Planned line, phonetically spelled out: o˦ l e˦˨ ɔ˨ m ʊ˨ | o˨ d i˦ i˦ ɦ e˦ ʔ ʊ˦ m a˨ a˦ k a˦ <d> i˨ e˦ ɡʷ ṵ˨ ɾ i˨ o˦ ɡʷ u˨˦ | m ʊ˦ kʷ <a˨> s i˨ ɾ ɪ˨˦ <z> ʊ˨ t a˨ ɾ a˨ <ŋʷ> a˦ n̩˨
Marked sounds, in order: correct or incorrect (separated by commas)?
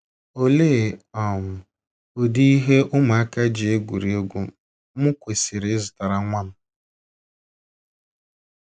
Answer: incorrect, incorrect, correct, correct